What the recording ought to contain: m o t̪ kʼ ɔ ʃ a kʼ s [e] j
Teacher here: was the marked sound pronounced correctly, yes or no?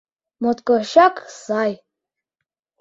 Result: no